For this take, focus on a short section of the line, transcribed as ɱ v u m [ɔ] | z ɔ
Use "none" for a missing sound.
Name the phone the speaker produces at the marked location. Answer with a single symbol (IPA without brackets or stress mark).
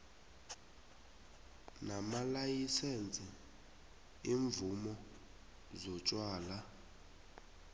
ɔ